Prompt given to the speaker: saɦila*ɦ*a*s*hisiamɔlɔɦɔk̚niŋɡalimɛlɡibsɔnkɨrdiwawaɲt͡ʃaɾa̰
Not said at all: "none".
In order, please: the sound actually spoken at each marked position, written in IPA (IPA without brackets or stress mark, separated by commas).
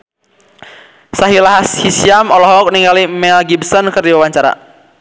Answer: ɦ, s